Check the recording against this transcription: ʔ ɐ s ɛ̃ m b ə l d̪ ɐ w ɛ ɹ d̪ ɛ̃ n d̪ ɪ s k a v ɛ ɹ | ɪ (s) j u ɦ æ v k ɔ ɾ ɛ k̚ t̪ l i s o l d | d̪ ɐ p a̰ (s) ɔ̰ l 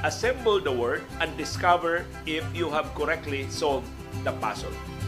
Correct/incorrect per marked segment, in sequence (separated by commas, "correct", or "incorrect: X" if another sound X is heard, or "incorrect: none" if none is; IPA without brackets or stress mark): incorrect: f, correct